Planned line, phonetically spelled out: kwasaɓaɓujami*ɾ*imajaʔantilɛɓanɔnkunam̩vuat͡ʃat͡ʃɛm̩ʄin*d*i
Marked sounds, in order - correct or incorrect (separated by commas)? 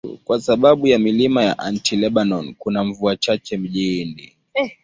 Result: incorrect, correct